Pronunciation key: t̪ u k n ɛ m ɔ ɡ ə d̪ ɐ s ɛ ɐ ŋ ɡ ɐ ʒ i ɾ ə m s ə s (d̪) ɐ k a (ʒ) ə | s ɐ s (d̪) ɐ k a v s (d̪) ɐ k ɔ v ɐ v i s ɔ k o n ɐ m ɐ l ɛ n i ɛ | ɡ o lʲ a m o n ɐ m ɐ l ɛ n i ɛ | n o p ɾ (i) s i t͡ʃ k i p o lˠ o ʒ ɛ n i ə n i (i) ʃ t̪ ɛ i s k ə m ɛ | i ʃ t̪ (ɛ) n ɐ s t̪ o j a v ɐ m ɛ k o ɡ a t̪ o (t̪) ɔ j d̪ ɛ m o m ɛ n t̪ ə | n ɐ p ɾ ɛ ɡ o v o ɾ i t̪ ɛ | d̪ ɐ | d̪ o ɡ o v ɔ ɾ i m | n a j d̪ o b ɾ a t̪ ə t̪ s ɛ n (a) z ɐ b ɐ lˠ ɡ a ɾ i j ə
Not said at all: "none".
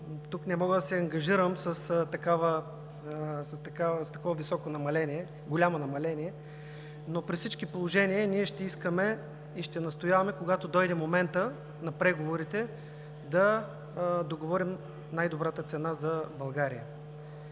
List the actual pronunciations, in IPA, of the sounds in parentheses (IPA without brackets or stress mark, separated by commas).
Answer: t̪, v, t̪, t̪, i, ɛ, ɛ, d̪, a